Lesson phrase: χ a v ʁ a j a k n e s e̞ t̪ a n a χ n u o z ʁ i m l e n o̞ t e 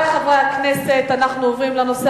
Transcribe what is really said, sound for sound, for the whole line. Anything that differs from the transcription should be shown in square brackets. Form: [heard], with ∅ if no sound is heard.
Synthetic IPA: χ a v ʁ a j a k n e s e̞ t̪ a n a χ n u o [v] ʁ i m l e n o̞ [s] e